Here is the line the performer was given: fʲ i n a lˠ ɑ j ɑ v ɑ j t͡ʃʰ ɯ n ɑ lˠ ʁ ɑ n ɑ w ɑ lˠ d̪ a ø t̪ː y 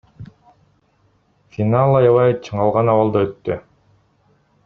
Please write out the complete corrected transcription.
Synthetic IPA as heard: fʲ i n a lˠ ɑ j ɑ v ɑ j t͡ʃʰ ɯ ɴ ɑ lˠ ʁ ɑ n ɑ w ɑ lˠ d̪ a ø t̪ː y